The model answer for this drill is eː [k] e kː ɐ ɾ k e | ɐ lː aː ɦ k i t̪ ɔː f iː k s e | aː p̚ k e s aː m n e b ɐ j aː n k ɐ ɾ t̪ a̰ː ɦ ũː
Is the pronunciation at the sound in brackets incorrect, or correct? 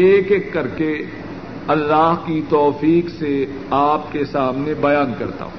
correct